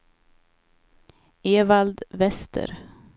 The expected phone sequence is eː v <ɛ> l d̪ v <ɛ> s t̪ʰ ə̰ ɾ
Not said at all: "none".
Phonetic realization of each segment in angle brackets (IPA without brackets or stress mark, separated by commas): a, ɛ